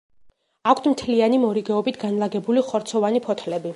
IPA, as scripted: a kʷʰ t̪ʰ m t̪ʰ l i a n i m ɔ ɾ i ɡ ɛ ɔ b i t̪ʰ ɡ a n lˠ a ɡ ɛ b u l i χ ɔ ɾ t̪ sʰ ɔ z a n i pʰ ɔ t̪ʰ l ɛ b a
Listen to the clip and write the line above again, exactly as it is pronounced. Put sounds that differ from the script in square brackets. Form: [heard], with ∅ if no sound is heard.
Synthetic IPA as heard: a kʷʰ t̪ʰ m t̪ʰ l i a n i m ɔ ɾ i ɡ ɛ ɔ b i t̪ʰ ɡ a n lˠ a ɡ ɛ b u l i χ ɔ ɾ t̪ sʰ ɔ [v] a n i pʰ ɔ t̪ʰ l ɛ b [i]